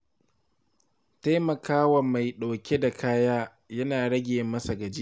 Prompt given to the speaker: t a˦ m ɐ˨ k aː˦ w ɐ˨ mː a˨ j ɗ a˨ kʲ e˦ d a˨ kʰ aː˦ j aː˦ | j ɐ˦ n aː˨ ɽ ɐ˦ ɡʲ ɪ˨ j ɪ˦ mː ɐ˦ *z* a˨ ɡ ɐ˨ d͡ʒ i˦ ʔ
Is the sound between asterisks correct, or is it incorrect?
incorrect: s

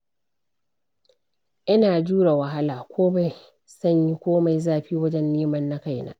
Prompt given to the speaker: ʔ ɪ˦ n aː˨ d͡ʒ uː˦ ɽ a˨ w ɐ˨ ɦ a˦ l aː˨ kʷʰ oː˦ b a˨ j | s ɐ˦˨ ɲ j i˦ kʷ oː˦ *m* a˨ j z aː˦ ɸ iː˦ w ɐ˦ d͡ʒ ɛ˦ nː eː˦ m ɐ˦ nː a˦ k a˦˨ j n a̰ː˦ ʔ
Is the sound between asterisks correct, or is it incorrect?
correct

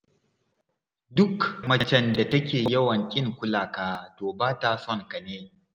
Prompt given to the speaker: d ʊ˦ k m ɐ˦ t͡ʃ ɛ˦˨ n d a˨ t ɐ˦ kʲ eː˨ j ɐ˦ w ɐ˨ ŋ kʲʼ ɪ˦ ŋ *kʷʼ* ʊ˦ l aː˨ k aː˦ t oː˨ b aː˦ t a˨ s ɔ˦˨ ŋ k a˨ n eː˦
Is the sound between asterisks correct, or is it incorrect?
incorrect: kʷ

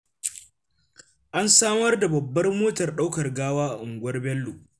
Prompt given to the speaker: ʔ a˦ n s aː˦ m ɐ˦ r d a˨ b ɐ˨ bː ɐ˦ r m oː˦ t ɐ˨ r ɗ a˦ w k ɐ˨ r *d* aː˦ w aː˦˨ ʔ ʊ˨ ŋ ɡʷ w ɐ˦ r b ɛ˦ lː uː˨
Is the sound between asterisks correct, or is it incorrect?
incorrect: ɡ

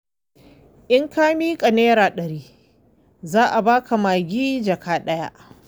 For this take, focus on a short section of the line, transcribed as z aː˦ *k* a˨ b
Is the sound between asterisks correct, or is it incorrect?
incorrect: ʔ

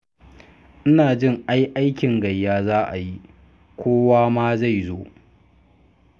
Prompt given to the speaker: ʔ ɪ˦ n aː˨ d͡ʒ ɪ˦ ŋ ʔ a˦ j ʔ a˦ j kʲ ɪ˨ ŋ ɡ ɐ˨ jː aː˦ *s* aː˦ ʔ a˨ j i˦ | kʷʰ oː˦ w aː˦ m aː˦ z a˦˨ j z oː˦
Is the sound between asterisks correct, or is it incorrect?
incorrect: z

